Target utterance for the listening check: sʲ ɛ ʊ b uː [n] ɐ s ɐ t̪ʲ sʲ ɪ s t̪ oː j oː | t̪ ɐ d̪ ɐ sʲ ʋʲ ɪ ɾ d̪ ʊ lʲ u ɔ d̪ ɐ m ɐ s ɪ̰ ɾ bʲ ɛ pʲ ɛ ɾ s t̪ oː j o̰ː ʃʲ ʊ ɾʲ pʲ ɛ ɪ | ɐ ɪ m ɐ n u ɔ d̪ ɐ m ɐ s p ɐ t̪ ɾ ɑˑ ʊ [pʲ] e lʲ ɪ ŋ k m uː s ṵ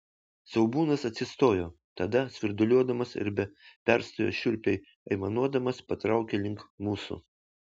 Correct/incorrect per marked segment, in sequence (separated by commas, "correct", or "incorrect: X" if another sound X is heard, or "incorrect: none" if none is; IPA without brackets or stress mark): correct, incorrect: kʲ